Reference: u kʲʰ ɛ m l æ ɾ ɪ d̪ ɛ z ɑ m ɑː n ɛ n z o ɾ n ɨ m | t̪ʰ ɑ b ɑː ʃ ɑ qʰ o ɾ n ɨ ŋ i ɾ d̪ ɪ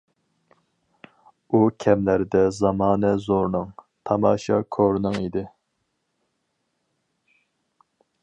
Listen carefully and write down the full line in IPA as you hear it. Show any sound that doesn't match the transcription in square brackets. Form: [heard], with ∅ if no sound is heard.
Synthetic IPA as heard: u kʲʰ ɛ m l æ ɾ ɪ d̪ ɛ z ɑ m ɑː n ɛ [∅] z o ɾ n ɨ [ŋ] | t̪ʰ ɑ [m] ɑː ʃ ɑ [kʰ] o ɾ n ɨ ŋ i [∅] d̪ ɪ